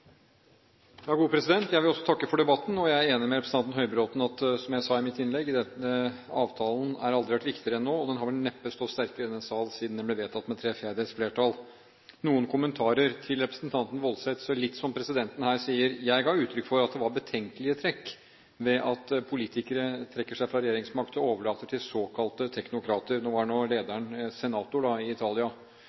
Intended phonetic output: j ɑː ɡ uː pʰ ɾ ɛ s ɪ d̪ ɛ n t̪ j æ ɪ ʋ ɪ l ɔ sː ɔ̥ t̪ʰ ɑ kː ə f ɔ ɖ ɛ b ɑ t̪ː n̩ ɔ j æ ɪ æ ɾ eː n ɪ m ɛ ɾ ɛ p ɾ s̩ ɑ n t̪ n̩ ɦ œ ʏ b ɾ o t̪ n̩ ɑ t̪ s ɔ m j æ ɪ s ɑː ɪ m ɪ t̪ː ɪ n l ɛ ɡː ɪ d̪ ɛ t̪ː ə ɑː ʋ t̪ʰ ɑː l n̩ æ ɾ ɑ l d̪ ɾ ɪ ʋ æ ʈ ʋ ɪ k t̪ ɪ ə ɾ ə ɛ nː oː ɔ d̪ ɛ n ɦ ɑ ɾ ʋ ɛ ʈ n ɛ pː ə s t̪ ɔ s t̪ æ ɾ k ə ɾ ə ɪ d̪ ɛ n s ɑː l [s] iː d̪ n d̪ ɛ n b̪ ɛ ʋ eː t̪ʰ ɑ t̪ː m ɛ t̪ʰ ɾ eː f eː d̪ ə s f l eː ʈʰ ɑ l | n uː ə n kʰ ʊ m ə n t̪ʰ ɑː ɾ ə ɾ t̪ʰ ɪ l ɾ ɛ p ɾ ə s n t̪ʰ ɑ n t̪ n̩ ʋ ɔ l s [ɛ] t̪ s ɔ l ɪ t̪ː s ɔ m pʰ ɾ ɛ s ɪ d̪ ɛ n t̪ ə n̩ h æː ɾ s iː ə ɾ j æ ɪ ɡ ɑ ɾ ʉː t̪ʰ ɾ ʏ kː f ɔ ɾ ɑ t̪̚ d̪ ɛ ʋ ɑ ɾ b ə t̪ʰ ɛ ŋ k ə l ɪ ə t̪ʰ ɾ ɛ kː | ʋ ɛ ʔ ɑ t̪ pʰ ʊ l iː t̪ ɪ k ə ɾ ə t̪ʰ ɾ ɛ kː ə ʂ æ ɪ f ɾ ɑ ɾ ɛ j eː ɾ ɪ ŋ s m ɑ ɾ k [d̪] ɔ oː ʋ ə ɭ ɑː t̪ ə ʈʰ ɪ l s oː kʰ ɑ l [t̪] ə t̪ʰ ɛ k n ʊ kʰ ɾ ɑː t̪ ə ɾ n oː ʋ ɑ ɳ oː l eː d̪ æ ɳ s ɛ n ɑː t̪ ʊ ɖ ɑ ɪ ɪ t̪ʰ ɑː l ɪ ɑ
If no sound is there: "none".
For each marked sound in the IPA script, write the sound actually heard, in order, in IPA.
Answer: s, ɛ, t̪, t̪

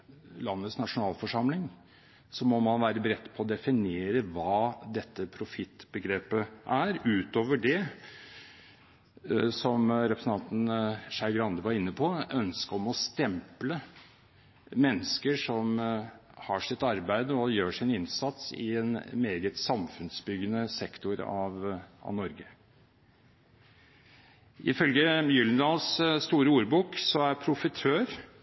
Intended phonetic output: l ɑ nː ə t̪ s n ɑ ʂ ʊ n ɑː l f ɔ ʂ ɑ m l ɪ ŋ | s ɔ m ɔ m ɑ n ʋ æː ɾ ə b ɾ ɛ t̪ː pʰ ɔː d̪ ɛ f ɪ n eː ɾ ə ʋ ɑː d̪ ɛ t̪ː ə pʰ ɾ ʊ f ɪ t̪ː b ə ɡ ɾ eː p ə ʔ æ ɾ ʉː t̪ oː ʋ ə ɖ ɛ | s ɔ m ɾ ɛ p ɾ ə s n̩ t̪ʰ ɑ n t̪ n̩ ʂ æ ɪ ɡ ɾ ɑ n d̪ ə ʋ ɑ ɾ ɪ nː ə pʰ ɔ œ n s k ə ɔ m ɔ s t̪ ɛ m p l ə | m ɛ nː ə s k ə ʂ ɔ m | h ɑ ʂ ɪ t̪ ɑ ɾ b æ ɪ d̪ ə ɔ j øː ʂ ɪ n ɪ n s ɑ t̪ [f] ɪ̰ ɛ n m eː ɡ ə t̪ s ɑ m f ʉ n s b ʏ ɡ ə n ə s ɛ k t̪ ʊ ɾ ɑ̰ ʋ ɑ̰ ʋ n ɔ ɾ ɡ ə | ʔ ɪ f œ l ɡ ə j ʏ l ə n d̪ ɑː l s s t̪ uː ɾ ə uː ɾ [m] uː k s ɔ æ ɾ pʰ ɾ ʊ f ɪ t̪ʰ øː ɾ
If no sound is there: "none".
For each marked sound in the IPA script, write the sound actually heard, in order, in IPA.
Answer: s, b

